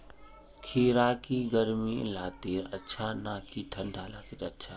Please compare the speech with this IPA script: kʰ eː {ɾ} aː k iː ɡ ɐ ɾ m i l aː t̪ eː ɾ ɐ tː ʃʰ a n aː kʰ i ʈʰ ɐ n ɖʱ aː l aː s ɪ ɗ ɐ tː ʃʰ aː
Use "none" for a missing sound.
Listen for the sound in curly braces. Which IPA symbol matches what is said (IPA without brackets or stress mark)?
ɾ